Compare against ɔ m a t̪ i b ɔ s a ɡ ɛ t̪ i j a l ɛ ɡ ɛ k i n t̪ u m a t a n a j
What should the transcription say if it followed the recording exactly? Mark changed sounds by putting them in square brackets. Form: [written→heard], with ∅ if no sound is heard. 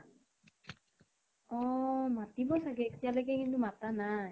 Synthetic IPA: ɔ m a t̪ i b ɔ s a ɡ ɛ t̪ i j a l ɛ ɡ ɛ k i n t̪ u m a t a n a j